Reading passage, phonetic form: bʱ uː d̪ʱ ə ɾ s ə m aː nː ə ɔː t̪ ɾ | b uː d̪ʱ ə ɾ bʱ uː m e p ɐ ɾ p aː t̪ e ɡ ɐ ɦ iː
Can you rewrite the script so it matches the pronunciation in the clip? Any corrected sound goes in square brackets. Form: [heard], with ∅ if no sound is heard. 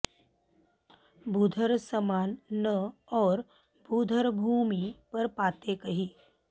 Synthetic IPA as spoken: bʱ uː d̪ʱ ə ɾ s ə m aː nː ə ɔː [∅] ɾ | b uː d̪ʱ ə ɾ bʱ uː m [i] p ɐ ɾ p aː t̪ e [k] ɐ ɦ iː

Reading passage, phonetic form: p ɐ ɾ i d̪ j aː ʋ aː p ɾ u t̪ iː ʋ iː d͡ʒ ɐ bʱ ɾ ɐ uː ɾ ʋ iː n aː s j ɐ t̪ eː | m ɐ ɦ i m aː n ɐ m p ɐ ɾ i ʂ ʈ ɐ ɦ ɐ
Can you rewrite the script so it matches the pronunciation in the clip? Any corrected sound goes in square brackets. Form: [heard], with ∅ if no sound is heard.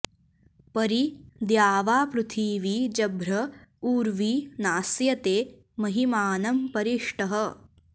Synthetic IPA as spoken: p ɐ ɾ i d̪ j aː ʋ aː p ɾ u [t̪ʰ] iː ʋ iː d͡ʒ ɐ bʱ ɾ ɐ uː ɾ ʋ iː n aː s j ɐ t̪ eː | m ɐ ɦ i m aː n ɐ m p ɐ ɾ i ʂ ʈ ɐ ɦ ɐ

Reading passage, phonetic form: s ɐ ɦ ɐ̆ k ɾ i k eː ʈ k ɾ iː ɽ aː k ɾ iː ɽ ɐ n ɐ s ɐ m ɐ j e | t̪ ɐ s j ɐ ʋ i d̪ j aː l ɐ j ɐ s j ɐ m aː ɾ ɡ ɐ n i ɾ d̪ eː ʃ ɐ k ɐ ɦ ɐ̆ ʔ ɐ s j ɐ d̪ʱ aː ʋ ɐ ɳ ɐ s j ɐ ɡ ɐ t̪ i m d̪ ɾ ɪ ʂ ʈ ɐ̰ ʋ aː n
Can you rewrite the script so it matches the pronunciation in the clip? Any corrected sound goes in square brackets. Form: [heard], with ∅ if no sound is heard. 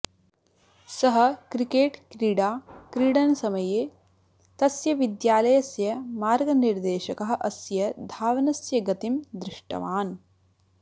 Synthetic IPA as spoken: s ɐ ɦ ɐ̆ k ɾ i k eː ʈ k ɾ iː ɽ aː k ɾ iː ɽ ɐ n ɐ s ɐ m ɐ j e | t̪ ɐ s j ɐ ʋ i d̪ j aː l ɐ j ɐ s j ɐ m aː ɾ ɡ ɐ n i ɾ d̪ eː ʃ ɐ k ɐ ɦ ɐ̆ ʔ ɐ s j ɐ d̪ʱ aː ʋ ɐ [n] ɐ s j ɐ ɡ ɐ t̪ i m d̪ ɾ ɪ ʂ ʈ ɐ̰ ʋ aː n

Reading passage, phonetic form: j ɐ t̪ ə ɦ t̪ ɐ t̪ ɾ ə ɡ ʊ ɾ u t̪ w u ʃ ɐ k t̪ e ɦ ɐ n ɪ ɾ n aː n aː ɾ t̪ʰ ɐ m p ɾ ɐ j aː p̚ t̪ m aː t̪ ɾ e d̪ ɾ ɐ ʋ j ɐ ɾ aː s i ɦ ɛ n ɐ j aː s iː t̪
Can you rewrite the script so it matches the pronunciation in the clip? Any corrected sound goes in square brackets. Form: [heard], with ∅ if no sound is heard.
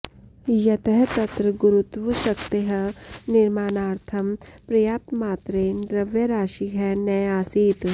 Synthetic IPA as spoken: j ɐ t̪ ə ɦ t̪ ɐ t̪ ɾ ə ɡ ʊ ɾ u t̪ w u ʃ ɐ k t̪ e ɦ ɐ n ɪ ɾ [m] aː n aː ɾ t̪ʰ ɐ m p ɾ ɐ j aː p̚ t̪ m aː t̪ ɾ e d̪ ɾ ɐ ʋ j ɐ ɾ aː [ʃ] i ɦ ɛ n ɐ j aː s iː t̪

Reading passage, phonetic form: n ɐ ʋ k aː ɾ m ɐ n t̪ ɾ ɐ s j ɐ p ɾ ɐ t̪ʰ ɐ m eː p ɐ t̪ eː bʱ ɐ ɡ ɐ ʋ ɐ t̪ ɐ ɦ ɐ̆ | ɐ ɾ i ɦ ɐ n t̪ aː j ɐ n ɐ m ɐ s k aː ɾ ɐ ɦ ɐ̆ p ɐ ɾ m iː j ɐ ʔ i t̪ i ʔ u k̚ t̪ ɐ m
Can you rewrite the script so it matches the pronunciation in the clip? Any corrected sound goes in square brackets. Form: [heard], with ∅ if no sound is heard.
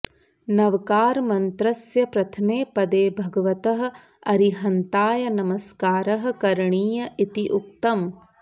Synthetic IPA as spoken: n ɐ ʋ k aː ɾ m ɐ n t̪ ɾ ɐ s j ɐ p ɾ ɐ t̪ʰ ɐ m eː p ɐ [d̪] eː bʱ ɐ ɡ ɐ ʋ ɐ t̪ ɐ ɦ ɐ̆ | ɐ ɾ i ɦ ɐ n t̪ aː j ɐ n ɐ m ɐ s k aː ɾ ɐ ɦ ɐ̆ [k] ɐ ɾ [ɳ] iː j ɐ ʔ i t̪ i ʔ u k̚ t̪ ɐ m

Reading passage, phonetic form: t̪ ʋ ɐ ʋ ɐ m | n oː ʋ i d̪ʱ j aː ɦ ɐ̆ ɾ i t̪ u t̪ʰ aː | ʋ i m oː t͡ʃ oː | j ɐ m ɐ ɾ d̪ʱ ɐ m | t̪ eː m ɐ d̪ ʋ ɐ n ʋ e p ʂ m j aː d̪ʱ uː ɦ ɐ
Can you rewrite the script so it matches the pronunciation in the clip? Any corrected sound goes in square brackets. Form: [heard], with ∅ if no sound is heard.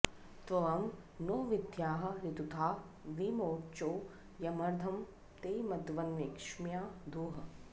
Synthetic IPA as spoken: t̪ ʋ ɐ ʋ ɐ m | n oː ʋ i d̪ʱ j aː ɦ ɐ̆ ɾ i t̪ u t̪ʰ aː | ʋ i m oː t͡ʃ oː | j ɐ m ɐ ɾ d̪ʱ ɐ m | t̪ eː m ɐ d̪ ʋ ɐ n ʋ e [k] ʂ m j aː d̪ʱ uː ɦ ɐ

